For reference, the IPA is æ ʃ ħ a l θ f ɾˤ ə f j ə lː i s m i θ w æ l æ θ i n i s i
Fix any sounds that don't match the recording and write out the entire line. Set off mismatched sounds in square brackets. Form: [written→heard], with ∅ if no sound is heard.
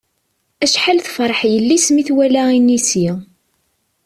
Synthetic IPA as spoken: æ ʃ ħ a l θ f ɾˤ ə [f→ħ] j ə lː i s m i θ w æ l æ [θ→∅] i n i s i